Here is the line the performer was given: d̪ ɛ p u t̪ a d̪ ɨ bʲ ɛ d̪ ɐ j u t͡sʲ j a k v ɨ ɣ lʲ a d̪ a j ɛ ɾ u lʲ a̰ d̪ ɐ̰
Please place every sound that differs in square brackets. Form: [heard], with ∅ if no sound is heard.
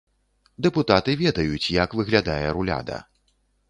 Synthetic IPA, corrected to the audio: d̪ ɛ p u t̪ a [t̪] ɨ [vʲ] ɛ d̪ ɐ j u t͡sʲ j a k v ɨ ɣ lʲ a d̪ a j ɛ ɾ u lʲ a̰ d̪ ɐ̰